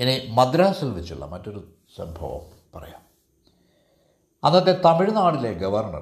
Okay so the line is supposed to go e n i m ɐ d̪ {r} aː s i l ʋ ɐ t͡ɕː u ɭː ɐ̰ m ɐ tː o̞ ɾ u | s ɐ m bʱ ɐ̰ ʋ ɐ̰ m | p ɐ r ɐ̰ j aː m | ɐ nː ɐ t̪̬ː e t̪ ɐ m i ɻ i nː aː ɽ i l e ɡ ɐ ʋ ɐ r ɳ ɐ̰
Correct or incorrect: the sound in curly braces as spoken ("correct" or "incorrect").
incorrect